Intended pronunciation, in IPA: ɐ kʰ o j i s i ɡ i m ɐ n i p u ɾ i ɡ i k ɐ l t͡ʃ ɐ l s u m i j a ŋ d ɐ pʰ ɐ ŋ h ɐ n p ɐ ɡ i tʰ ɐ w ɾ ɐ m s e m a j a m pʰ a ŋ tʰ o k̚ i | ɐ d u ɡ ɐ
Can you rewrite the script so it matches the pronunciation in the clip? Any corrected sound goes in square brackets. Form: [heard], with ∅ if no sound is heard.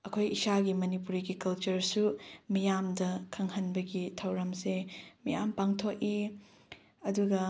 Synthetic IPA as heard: ɐ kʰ o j i s [a] ɡ i m ɐ n i p u ɾ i ɡ i k ɐ l t͡ʃ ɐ [ɾ] s u m i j a [m] d ɐ [kʰ] ɐ ŋ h ɐ n [b] ɐ ɡ i tʰ ɐ w ɾ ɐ m s e m [i] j a m [p] a ŋ tʰ o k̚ i | ɐ d u ɡ ɐ